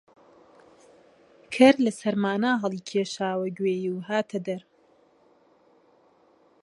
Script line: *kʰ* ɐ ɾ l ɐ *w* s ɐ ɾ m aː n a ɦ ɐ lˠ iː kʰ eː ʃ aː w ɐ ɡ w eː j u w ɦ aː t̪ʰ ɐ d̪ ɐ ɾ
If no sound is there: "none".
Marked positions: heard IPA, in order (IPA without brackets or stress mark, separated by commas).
kʰ, none